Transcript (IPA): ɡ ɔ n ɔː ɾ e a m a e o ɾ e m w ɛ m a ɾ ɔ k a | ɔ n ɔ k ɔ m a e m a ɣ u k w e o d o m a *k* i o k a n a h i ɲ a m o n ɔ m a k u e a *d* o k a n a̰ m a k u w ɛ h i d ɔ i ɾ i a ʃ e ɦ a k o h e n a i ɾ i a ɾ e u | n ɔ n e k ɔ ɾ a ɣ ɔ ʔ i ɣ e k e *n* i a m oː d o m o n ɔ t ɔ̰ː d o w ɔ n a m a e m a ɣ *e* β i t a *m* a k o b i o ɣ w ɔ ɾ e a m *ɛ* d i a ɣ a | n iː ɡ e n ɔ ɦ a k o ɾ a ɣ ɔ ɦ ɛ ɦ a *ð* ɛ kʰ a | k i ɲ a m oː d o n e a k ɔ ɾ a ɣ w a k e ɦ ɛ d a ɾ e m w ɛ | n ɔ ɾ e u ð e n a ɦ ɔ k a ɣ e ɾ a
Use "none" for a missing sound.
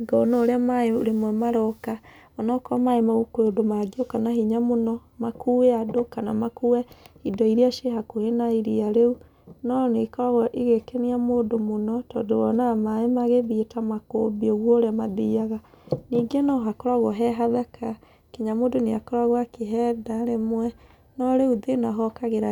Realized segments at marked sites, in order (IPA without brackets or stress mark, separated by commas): ɡ, d, n, e, m, a, ð